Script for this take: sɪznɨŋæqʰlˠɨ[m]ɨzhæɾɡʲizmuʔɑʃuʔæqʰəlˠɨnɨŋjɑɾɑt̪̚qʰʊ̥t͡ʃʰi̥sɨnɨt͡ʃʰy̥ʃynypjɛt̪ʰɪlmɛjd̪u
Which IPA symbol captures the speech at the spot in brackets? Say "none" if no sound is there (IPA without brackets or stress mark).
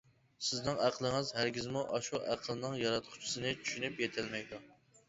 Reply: ŋ